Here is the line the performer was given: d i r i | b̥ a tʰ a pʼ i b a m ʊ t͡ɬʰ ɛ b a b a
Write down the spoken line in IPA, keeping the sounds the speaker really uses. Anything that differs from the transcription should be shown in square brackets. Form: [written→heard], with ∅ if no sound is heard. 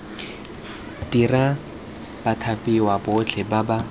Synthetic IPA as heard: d i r [i→a] | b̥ a tʰ a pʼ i [b→w] a [m→b] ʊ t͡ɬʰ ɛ b a b a